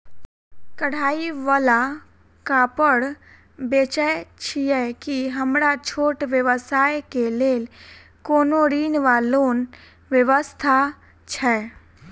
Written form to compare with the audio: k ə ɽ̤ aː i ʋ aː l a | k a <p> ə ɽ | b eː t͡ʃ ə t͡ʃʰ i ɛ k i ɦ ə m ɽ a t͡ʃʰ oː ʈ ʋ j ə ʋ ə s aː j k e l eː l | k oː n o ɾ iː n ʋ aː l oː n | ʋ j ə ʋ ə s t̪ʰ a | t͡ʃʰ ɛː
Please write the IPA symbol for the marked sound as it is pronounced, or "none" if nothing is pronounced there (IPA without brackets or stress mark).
p